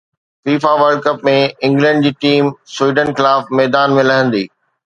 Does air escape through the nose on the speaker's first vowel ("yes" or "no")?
no